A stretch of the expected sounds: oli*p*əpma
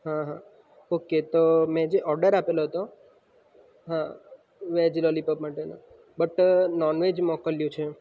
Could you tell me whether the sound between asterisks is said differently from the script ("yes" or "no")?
no